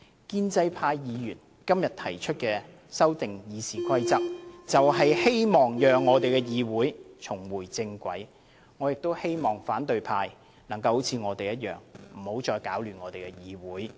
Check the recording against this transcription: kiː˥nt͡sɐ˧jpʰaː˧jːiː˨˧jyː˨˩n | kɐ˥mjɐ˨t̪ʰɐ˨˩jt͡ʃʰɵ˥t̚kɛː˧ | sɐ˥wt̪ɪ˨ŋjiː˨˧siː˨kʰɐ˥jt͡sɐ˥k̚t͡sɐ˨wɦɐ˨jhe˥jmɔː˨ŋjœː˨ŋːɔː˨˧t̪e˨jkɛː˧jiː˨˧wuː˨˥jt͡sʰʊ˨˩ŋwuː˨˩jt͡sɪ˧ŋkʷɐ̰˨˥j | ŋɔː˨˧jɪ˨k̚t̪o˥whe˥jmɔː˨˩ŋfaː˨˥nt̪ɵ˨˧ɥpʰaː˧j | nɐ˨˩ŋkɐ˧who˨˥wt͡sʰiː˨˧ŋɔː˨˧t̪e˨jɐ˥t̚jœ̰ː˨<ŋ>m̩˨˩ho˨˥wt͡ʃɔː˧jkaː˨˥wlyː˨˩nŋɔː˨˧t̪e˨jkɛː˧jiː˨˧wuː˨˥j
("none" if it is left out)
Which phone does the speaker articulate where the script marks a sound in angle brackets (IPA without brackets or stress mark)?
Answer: ŋ